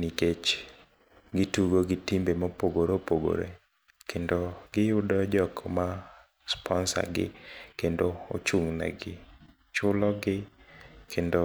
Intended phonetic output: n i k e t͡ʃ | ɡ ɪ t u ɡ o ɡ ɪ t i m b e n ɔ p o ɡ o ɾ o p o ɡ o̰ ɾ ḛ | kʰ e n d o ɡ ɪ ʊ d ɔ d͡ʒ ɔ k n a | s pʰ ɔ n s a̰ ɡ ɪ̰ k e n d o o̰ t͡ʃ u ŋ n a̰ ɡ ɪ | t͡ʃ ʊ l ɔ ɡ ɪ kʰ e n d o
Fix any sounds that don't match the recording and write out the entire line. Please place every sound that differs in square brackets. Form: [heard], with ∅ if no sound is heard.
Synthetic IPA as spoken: n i k e t͡ʃ | ɡ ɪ t u ɡ o ɡ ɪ t i m b e [m] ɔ p o ɡ o ɾ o p o ɡ o̰ ɾ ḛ | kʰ e n d o ɡ ɪ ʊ d ɔ d͡ʒ ɔ k [m] a | s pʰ ɔ n s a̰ ɡ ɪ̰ k e n d o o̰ t͡ʃ u ŋ n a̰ ɡ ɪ | t͡ʃ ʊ l ɔ ɡ ɪ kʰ e n d o